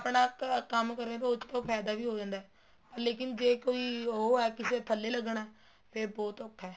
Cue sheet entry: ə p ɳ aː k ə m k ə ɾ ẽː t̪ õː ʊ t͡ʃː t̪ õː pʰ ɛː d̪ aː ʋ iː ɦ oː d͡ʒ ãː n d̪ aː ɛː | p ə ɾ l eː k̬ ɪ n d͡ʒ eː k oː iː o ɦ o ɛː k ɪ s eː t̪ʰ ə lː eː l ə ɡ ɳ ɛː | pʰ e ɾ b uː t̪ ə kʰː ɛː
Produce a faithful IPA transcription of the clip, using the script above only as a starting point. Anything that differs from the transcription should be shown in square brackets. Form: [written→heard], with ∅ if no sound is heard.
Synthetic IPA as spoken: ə p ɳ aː k ə m k ə ɾ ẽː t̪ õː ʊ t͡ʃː t̪ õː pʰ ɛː d̪ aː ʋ iː ɦ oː d͡ʒ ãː n d̪ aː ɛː | p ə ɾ l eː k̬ ɪ n d͡ʒ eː k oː iː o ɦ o ɛː k ɪ s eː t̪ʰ ə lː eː l ə ɡ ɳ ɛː | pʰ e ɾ b [uː→ɔː] t̪ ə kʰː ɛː